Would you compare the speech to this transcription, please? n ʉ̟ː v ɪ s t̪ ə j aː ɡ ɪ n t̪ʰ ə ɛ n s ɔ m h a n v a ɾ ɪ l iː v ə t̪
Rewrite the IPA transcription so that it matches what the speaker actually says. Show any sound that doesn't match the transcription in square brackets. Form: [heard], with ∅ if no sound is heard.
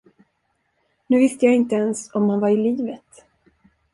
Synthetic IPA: n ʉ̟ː v ɪ s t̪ ə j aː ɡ ɪ n [t̪] ə ɛ n s ɔ m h a n v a ɾ ɪ l iː v ə t̪